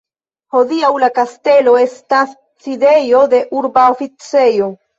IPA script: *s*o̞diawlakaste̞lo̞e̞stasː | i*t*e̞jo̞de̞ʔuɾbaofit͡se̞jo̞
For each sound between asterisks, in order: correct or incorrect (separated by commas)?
incorrect, incorrect